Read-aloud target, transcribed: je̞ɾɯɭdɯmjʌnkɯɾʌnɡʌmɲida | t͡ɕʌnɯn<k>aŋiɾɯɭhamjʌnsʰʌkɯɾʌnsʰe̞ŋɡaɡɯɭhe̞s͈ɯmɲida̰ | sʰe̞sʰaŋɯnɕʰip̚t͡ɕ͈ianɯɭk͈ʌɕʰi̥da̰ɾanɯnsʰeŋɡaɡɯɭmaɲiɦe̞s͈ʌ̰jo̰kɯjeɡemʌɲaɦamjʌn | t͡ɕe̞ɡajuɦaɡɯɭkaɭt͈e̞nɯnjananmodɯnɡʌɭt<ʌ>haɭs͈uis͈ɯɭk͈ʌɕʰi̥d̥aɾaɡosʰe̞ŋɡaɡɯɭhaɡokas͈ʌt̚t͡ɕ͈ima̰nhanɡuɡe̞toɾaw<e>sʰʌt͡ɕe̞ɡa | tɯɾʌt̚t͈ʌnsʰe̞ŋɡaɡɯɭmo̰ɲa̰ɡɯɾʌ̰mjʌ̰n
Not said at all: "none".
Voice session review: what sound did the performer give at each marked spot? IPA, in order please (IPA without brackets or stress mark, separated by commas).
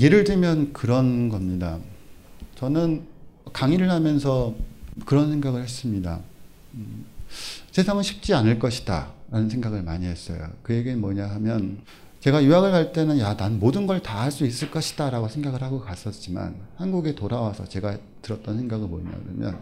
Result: k, a, a